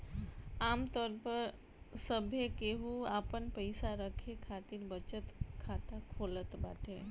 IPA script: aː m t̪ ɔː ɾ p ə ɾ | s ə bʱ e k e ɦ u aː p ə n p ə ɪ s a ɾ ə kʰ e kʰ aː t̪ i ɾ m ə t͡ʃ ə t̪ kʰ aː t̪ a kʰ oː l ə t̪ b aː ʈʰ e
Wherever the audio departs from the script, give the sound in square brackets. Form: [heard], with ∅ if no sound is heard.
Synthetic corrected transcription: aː m t̪ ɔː ɾ p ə ɾ | s ə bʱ e k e ɦ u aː p ə n p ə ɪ s a ɾ ə kʰ e kʰ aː t̪ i ɾ [b] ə t͡ʃ ə t̪ kʰ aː t̪ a kʰ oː l ə t̪ b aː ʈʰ e